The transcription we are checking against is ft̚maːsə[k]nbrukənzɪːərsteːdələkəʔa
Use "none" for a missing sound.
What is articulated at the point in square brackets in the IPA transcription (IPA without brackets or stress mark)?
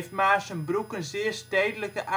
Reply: none